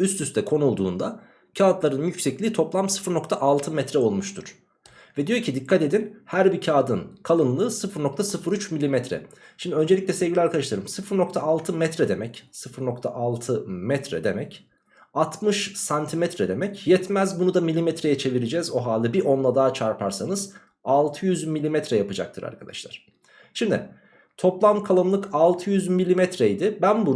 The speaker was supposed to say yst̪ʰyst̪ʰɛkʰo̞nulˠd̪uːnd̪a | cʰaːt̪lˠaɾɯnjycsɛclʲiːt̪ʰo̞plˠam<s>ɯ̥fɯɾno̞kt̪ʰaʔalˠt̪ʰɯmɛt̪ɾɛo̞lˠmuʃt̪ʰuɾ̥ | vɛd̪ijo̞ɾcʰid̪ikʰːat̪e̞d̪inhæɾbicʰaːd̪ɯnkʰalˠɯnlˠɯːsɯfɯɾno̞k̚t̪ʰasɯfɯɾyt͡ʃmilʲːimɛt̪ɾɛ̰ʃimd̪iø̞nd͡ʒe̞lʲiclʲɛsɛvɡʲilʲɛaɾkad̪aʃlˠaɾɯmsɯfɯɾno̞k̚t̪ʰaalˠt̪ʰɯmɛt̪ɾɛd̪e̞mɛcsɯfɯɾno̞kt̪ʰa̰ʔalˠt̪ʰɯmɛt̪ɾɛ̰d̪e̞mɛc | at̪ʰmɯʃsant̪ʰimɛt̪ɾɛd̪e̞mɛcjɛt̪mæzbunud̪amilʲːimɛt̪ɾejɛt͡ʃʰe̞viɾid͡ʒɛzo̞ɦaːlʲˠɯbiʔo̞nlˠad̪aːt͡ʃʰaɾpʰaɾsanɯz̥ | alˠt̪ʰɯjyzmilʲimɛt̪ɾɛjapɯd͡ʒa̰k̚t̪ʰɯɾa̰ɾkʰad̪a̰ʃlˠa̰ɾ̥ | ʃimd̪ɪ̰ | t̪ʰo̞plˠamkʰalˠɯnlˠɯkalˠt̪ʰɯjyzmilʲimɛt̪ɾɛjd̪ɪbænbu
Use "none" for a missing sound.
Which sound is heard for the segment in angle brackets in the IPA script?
s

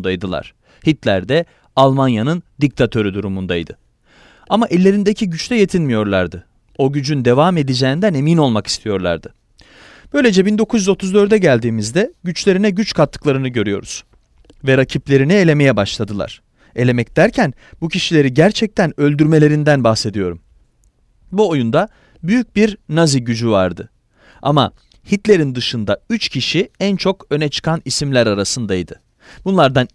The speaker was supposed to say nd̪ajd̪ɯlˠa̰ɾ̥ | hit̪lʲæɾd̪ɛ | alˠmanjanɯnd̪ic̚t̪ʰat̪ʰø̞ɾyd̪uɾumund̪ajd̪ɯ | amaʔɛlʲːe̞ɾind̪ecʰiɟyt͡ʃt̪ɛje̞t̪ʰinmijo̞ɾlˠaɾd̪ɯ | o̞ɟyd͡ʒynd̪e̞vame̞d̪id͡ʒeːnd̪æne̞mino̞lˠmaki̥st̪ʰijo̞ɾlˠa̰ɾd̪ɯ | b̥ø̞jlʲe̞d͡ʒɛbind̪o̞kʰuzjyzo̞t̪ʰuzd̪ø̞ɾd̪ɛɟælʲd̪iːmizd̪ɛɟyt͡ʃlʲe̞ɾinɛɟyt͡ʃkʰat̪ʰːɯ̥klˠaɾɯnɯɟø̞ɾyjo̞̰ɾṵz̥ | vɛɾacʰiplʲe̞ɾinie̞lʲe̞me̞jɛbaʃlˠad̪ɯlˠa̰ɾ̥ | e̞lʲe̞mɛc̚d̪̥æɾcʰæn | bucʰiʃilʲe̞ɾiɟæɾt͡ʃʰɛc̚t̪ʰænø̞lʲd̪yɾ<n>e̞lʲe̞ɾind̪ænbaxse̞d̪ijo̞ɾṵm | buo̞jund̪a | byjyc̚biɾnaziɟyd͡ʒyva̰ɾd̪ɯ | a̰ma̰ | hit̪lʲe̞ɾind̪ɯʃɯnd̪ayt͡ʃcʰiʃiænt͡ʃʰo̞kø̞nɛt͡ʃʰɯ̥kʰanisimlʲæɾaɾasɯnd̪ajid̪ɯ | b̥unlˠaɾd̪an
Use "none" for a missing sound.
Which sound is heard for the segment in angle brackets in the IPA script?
m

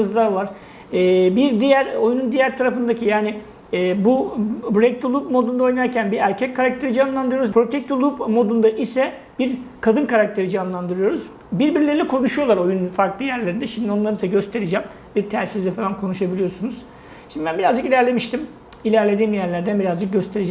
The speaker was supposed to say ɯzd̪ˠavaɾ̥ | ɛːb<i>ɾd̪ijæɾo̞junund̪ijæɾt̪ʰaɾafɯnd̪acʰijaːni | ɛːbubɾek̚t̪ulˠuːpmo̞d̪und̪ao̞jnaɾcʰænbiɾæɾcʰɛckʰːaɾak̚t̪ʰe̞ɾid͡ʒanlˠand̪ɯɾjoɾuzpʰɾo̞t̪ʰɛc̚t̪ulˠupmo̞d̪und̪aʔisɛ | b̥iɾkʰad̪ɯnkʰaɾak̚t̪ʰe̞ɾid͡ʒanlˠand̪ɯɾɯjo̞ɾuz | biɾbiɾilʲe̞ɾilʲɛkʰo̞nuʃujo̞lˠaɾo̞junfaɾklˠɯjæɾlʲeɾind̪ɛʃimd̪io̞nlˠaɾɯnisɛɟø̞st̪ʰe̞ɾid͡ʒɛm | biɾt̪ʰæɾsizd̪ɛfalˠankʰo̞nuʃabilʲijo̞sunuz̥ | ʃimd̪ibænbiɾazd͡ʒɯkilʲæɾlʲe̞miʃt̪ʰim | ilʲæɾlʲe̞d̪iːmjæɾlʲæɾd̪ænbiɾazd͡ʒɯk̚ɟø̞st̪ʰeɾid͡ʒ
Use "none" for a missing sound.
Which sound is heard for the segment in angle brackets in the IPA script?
i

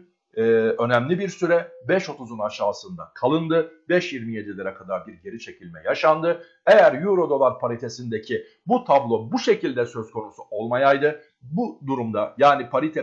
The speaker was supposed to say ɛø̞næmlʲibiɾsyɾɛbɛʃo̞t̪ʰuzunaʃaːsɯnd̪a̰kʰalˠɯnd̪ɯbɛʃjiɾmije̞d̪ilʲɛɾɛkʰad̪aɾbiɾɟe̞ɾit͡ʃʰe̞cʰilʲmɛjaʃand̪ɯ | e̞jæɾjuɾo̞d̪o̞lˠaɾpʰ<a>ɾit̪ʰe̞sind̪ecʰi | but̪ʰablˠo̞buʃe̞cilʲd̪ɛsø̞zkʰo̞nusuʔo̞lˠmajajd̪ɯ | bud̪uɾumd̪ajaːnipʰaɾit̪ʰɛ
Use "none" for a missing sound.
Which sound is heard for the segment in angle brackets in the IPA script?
a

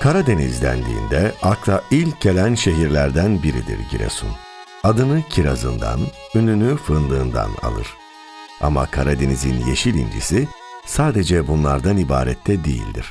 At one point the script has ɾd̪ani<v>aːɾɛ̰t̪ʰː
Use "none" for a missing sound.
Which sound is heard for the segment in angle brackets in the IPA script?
b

